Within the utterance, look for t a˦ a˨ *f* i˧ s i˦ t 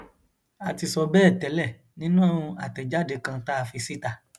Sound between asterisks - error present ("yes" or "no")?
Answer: no